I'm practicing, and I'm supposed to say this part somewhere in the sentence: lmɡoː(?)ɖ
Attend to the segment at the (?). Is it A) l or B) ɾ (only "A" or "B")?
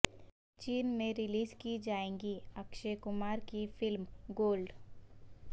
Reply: A